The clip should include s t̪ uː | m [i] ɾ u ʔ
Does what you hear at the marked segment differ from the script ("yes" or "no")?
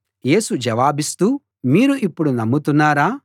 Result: yes